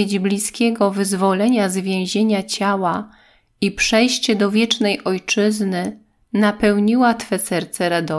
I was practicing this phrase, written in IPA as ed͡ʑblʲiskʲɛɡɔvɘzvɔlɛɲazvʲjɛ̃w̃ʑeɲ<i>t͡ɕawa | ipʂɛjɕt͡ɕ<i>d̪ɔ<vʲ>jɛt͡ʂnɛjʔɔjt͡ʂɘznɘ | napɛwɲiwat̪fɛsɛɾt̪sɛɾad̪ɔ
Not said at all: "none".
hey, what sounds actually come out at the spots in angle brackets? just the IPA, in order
a, ɛ, vʲ

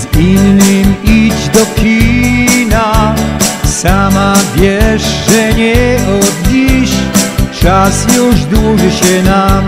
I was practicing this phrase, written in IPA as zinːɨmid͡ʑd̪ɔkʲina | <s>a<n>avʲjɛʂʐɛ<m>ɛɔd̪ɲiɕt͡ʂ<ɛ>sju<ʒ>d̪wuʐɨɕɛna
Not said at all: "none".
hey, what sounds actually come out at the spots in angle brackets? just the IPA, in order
s, m, ɲ, a, ʐ

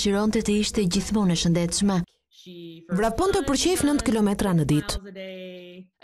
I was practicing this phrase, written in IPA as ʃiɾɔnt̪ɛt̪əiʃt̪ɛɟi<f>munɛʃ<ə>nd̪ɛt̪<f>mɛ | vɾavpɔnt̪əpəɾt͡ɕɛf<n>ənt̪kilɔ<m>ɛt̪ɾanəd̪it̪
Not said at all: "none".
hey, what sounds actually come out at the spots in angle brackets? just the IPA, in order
θ, ə, ʃ, n, m

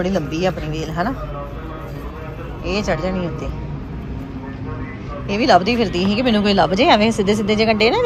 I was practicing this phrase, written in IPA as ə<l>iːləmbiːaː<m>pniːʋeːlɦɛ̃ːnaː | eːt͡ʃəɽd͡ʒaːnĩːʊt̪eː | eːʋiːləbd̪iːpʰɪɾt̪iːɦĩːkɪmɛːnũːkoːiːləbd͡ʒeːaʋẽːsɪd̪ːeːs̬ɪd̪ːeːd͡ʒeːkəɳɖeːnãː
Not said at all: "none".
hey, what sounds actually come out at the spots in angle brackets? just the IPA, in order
ɽ, none

